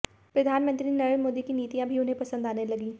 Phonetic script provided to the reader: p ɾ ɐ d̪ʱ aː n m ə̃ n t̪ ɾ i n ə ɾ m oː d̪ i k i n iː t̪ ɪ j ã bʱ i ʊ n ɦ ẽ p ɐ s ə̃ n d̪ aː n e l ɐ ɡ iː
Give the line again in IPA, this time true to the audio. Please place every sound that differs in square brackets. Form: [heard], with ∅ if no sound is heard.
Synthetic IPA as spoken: p ɾ ɐ d̪ʱ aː n m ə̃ n t̪ ɾ i n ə ɾ m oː d̪ i k i n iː t̪ [i] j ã bʱ i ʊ n ɦ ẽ p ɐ s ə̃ n d̪ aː n e l ɐ ɡ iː